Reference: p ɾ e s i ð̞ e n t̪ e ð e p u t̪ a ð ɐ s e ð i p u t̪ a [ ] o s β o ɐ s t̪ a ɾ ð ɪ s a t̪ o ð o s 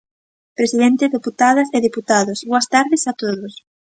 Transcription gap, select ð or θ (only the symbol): ð